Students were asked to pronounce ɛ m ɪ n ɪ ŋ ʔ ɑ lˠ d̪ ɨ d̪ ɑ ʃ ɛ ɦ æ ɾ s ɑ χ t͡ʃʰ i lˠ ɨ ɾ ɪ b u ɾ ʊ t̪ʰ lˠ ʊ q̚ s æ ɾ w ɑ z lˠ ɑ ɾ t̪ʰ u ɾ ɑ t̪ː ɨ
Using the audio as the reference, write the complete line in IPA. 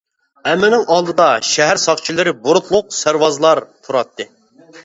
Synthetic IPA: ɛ m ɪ n ɪ ŋ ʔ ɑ lˠ d̪ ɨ d̪ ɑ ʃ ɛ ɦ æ ɾ s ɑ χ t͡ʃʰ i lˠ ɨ ɾ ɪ b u ɾ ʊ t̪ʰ lˠ ʊ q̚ s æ ɾ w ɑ z lˠ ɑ ɾ t̪ʰ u ɾ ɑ t̪ː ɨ

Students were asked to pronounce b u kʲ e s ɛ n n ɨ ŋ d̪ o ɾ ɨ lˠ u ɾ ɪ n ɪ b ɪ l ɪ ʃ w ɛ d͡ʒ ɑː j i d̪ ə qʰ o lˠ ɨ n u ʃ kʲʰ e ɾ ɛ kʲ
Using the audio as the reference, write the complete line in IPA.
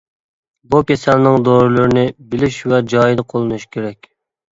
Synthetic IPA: b u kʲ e s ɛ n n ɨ ŋ d̪ o ɾ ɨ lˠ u ɾ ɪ n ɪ b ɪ l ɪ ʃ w ɛ d͡ʒ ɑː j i d̪ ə qʰ o lˠ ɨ n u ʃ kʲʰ e ɾ ɛ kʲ

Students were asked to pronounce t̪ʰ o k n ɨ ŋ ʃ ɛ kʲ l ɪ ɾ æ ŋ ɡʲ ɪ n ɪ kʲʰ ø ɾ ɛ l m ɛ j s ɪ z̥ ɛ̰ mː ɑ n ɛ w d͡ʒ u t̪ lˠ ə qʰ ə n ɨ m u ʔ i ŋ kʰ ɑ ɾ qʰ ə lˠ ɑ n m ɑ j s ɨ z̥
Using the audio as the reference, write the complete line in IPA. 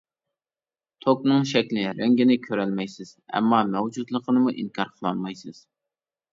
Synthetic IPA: t̪ʰ o k n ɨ ŋ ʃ ɛ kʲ l ɪ ɾ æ ŋ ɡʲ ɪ n ɪ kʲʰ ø ɾ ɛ l m ɛ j s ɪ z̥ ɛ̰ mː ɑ m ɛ w d͡ʒ u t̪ lˠ ə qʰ ə n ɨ m u ʔ i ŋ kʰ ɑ ɾ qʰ ə lˠ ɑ n m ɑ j s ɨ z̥

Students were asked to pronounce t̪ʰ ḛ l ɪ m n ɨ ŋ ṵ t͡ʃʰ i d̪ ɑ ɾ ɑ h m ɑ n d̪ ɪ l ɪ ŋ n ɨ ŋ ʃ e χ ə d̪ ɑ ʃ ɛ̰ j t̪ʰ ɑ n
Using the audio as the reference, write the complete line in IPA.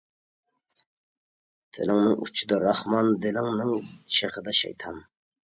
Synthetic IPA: t̪ʰ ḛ l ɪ ŋ n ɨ ŋ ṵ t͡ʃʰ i d̪ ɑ ɾ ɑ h m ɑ n d̪ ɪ l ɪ ŋ n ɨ ŋ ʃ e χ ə d̪ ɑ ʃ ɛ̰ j t̪ʰ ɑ n

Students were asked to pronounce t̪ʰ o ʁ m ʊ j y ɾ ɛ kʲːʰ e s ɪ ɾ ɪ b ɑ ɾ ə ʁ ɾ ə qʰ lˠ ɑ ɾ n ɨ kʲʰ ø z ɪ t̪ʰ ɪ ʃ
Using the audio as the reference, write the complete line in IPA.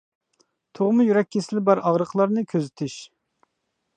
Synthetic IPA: t̪ʰ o ʁ m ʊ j y ɾ ɛ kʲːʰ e s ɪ l ɪ b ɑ ɾ ɑ ʁ ɾ ə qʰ lˠ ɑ ɾ n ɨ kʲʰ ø z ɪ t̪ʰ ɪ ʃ

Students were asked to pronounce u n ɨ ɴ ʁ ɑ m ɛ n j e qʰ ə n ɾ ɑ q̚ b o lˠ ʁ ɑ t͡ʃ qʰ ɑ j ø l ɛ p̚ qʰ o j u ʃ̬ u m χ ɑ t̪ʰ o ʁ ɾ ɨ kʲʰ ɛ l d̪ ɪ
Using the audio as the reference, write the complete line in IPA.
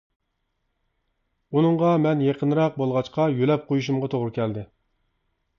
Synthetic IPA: u n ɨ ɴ ʁ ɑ m ɛ n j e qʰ ə n ɾ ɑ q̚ b o lˠ ʁ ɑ t͡ʃ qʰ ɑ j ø l ɛ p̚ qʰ o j u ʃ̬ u m ʁ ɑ t̪ʰ o ʁ ɾ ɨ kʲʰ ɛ l d̪ ɪ

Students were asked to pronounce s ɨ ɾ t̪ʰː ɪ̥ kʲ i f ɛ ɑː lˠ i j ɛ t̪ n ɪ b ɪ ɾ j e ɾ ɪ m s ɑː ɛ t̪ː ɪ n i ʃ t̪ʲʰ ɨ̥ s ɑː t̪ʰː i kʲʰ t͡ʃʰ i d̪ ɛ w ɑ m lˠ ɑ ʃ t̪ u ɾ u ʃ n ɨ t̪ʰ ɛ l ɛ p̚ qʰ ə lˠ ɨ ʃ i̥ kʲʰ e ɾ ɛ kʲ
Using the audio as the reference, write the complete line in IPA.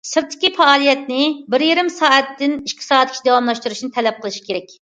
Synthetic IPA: s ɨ ɾ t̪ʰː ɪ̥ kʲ i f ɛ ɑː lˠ i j ɛ t̪ n ɪ b ɪ ɾ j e ɾ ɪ m s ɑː ɛ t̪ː ɪ n i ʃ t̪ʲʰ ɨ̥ s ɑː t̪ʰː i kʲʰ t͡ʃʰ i d̪ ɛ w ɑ m lˠ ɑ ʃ t̪ u ɾ u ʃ n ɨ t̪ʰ ɛ l ɛ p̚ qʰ ə lˠ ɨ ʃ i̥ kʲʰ e ɾ ɛ kʲ

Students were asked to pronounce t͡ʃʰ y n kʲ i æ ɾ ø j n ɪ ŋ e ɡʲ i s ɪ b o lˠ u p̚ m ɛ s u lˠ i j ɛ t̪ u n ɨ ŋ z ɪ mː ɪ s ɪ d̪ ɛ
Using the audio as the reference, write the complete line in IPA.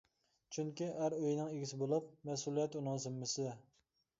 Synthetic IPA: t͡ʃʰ y ŋ kʲ i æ ɾ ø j n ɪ ŋ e ɡʲ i s ɪ b o lˠ u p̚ m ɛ s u lˠ i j ɛ t̪ u n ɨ ŋ z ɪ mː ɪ s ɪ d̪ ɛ

